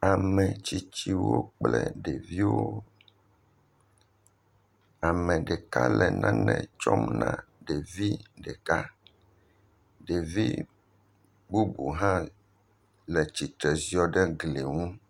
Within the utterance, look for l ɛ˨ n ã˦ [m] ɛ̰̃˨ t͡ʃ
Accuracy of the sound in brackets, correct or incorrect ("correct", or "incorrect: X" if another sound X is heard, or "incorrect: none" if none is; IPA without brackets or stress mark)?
incorrect: n